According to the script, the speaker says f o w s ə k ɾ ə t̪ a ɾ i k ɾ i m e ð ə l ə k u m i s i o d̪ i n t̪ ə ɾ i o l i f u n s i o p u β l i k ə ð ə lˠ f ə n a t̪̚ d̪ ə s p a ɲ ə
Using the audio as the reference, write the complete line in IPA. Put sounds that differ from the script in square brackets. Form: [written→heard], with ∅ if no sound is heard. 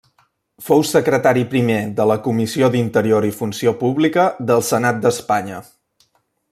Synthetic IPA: f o w s ə k ɾ ə t̪ a ɾ i [k→p] ɾ i m e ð ə l ə k u m i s i o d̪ i n t̪ ə ɾ i o [l→ɾ] i f u n s i o p u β l i k ə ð ə lˠ [f→s] ə n a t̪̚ d̪ ə s p a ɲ ə